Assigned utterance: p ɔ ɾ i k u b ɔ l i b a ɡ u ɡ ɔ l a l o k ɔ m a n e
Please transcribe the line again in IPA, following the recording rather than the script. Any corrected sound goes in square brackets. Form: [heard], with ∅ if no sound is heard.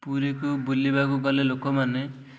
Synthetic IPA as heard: p [u] ɾ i k u b [u] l i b a [k] u ɡ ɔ l [e] l o k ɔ m a n e

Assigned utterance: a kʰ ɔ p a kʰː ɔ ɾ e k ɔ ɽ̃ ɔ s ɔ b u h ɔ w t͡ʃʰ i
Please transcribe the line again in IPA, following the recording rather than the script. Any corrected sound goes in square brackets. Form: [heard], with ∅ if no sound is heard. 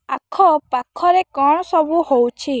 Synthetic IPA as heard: a kʰ ɔ p a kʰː ɔ ɾ e k ɔ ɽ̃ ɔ s ɔ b u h [o] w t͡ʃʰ i

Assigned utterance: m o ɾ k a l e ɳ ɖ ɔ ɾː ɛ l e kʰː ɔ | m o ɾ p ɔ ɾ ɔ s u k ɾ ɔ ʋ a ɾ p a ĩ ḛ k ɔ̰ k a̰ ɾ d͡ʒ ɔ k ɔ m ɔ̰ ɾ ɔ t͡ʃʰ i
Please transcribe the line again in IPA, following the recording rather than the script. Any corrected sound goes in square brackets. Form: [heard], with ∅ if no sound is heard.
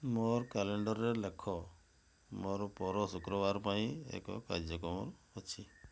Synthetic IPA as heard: m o ɾ k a l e ɳ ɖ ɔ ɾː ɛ l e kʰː ɔ | m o ɾ p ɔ ɾ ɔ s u k ɾ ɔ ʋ a ɾ p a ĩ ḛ k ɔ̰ k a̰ ɾ d͡ʒ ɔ k ɔ m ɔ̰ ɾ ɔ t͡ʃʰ i

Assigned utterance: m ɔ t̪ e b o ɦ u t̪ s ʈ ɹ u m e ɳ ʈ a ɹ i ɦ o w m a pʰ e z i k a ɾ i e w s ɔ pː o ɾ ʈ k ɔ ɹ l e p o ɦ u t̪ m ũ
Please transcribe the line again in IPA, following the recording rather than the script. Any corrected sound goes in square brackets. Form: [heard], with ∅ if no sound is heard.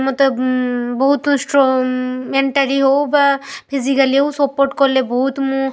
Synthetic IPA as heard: m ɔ t̪ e b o ɦ u t̪ s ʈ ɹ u m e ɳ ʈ a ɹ i ɦ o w [b] a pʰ [i] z i k a [l] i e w s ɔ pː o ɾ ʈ k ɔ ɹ l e [b] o ɦ u t̪ m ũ

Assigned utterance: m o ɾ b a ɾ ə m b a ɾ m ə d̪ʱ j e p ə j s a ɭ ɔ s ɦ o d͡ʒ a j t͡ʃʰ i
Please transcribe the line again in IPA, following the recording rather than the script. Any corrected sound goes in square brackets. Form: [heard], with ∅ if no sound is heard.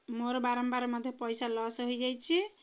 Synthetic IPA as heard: m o ɾ b a ɾ ə m b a ɾ m ə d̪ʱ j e p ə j s a [l] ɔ s ɦ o d͡ʒ a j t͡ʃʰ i

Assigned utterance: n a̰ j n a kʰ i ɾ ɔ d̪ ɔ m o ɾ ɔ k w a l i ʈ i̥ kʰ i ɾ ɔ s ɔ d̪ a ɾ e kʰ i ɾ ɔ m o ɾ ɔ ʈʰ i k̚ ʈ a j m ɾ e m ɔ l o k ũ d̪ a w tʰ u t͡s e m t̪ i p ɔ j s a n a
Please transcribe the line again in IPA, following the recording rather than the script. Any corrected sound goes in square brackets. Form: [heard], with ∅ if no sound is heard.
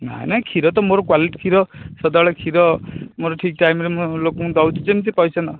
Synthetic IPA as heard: n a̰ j n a kʰ i ɾ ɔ [t̪] ɔ m o ɾ ɔ k w a l i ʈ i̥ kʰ i ɾ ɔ s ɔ d̪ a [ɭ] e kʰ i ɾ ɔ m o ɾ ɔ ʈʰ i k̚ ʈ a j m ɾ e m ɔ l o k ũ d̪ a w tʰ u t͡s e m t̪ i p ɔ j s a n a

